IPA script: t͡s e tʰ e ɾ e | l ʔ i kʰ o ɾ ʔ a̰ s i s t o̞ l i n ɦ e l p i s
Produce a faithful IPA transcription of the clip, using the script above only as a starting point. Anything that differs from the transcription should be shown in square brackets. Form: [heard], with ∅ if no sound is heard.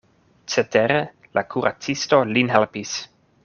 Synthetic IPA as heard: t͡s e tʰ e ɾ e | l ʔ [a] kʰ [u] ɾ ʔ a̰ [t͡s] i s t o̞ l i n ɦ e l p i s

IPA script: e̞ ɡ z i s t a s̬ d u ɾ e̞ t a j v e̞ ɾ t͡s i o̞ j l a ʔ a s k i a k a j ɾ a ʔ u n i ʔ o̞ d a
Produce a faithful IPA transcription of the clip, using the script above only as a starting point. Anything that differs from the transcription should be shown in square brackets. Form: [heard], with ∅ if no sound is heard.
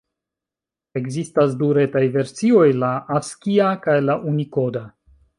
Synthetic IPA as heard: e̞ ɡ z i s t a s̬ d u ɾ e̞ t a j v e̞ ɾ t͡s i o̞ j l a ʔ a s k i a k a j [l] a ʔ u n i [k] o̞ d a

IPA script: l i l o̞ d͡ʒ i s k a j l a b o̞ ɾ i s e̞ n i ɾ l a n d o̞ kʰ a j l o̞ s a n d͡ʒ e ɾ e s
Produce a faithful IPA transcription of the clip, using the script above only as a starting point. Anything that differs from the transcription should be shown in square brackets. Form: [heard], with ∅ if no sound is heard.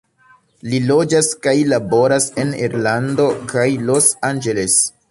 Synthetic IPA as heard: l i l o̞ d͡ʒ [a] s k a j l a b o̞ ɾ [a] s e̞ n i ɾ l a n d o̞ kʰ a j l o̞ s a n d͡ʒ e [l] e s

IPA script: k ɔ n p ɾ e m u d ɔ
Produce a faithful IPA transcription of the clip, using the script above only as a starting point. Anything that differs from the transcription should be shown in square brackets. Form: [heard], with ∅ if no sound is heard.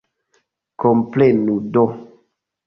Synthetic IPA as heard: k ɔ [m] p [l] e [n] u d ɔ

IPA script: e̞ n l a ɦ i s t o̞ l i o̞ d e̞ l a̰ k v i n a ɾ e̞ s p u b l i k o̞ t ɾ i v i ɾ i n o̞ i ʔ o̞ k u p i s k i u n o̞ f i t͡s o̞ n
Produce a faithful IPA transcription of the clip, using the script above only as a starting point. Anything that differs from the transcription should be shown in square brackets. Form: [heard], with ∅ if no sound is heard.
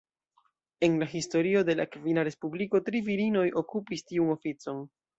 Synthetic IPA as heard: e̞ n l a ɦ i s t o̞ [ɾ] i o̞ d e̞ l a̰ k v i n a ɾ e̞ s p u b l i k o̞ t ɾ i v i ɾ i n o̞ [j] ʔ o̞ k u p i s [t] i u n o̞ f i t͡s o̞ n

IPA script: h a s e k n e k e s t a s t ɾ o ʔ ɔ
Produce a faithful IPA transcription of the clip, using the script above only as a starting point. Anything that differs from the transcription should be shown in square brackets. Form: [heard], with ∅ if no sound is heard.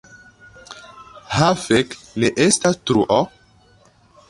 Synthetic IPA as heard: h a [f] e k n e [ʔ] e s t a s t ɾ [u] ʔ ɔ

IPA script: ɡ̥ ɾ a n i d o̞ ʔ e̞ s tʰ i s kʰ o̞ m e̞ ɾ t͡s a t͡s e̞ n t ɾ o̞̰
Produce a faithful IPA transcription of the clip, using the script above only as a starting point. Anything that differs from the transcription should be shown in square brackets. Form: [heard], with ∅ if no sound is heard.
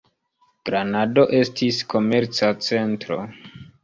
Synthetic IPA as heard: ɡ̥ ɾ a n [a] d o̞ ʔ e̞ s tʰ i s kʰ o̞ m e̞ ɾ t͡s a t͡s e̞ n t ɾ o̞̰

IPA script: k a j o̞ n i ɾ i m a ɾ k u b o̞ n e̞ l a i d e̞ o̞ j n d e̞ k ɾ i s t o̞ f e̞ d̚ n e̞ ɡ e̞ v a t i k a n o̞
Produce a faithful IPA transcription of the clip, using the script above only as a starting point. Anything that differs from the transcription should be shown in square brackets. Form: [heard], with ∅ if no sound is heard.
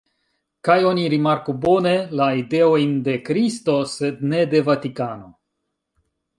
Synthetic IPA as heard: k a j o̞ n i ɾ i m a ɾ k u b o̞ n e̞ l a i d e̞ o̞ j n d e̞ k ɾ i s t o̞ [s] e̞ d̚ n e̞ [d] e̞ v a t i k a n o̞

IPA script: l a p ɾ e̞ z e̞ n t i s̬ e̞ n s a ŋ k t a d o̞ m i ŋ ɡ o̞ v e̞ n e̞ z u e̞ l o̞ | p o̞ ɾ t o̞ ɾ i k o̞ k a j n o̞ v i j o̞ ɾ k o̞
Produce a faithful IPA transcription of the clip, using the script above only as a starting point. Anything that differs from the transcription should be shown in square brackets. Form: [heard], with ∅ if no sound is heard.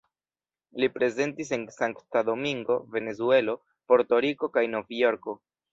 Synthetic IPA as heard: l [i] p ɾ e̞ z e̞ n t i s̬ e̞ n s a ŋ k t a d o̞ m i ŋ ɡ o̞ v e̞ n e̞ z u e̞ l o̞ | p o̞ ɾ t o̞ ɾ i k o̞ k a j n o̞ v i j o̞ ɾ k o̞

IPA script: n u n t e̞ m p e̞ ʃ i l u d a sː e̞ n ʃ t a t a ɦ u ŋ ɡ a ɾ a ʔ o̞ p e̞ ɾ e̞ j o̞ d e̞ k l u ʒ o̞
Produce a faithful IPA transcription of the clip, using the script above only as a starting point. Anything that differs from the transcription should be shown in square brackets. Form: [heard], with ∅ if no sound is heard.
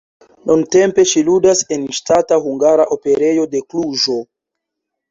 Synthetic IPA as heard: n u n t e̞ m p e̞ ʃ i l u d a [s] e̞ n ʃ t a t a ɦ u ŋ ɡ a ɾ a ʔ o̞ p e̞ ɾ e̞ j o̞ d e̞ k l u ʒ o̞

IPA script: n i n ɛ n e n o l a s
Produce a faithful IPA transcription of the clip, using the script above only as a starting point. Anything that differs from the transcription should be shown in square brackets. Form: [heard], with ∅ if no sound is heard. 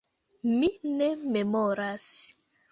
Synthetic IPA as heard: [m] i n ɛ [m] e [m] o [ɾ] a s

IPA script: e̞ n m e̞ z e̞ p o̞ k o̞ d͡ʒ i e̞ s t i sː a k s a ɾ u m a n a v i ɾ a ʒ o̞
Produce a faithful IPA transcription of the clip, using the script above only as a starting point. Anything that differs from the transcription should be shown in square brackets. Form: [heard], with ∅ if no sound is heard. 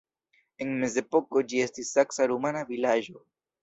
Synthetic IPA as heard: e̞ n m e̞ z e̞ p o̞ k o̞ d͡ʒ i e̞ s t i sː a k s a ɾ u m a n a v i [l] a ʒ o̞

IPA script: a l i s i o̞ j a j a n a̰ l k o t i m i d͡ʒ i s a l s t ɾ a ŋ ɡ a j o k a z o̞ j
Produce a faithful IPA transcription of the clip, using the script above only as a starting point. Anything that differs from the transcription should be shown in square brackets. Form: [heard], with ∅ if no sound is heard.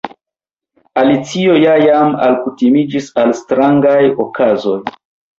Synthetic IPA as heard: a l i [t͡s] i o̞ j a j a [m] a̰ l k [u] t i m i d͡ʒ i s a l s t ɾ a ŋ ɡ a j o k a z o̞ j

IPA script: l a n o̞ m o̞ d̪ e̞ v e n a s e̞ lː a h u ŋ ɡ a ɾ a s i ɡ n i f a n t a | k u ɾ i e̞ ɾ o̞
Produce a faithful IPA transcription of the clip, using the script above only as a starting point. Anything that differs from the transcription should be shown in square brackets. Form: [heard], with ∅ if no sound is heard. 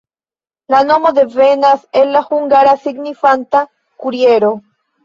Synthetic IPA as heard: l a n o̞ m o̞ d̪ e̞ v e n a s e̞ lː a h u ŋ ɡ a ɾ a s i ɡ n i f a n t a | k u ɾ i e̞ ɾ o̞

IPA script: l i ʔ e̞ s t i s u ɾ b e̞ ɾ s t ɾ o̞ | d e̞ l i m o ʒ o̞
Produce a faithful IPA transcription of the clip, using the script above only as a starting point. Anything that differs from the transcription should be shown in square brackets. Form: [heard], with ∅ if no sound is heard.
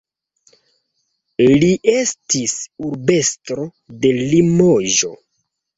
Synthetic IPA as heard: l i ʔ e̞ s t i s u ɾ b e̞ [∅] s t ɾ o̞ | d e̞ l i m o ʒ o̞

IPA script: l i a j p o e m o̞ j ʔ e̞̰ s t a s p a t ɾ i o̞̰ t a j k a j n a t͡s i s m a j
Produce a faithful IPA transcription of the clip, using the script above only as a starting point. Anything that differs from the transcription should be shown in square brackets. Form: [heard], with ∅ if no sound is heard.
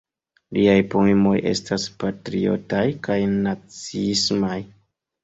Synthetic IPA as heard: l i a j p o e m o̞ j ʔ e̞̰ s t a s p a t ɾ i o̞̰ t a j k a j n a t͡s i s m a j

